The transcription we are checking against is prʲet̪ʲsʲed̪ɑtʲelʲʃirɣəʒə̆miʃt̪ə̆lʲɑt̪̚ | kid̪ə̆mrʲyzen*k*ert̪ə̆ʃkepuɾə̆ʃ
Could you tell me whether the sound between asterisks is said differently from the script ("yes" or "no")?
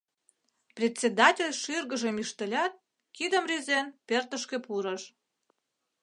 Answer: yes